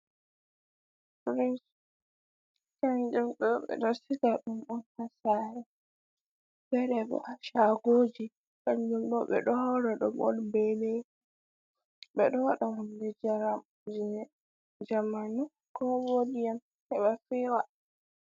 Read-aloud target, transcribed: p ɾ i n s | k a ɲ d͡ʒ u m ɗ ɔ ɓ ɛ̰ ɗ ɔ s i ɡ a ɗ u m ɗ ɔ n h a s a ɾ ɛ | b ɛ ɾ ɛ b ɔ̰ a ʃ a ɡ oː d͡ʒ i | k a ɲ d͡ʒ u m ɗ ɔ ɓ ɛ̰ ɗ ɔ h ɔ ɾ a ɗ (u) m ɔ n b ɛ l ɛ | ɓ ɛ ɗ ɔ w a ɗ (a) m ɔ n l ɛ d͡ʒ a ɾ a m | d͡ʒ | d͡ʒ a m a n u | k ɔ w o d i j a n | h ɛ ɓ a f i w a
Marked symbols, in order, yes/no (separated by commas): no, yes